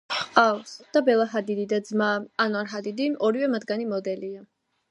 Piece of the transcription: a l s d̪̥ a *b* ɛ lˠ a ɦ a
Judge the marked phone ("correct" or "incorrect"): correct